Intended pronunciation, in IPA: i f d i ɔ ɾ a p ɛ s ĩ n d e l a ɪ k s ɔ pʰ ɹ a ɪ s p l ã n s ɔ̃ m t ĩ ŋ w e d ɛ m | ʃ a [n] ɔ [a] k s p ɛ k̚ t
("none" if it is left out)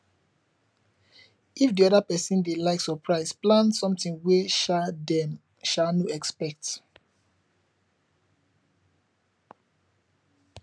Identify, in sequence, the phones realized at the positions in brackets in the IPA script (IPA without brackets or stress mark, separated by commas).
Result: n, ɛ